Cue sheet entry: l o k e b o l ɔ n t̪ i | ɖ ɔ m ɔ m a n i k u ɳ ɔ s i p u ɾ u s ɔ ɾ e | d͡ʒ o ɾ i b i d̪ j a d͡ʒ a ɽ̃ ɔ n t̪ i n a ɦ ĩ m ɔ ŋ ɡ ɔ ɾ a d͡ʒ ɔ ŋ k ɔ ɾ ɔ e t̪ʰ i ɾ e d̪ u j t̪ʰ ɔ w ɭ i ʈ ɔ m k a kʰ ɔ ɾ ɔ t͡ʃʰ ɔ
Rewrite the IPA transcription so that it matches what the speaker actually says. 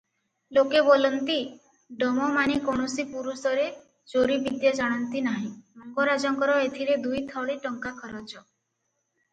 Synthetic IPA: l o k e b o l ɔ n t̪ i | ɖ ɔ m ɔ m a n i k o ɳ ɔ s i p u ɾ u s ɔ ɾ e | d͡ʒ o ɾ i b i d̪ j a d͡ʒ a ɽ̃ ɔ n t̪ i n a ɦ ĩ m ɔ ŋ ɡ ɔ ɾ a d͡ʒ ɔ ŋ k ɔ ɾ ɔ e t̪ʰ i ɾ e d̪ u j t̪ʰ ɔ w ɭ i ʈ ɔ ŋ k a kʰ ɔ ɾ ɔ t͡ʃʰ ɔ